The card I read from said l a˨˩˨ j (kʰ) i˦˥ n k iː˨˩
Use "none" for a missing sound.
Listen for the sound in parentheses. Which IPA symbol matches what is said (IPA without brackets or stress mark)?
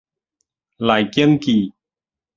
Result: k